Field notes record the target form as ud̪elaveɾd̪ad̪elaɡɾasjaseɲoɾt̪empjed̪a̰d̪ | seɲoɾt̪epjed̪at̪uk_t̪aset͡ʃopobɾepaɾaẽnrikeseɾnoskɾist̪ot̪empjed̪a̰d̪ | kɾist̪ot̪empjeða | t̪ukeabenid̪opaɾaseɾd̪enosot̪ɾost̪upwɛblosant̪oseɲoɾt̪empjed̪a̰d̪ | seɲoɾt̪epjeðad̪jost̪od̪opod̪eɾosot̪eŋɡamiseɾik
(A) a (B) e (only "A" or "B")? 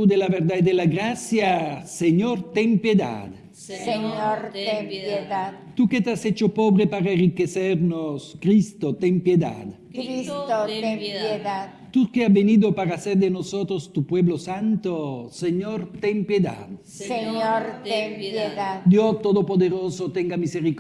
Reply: B